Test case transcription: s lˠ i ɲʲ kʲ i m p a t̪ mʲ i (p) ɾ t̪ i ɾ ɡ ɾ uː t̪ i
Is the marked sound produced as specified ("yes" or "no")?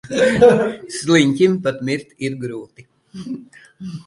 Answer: no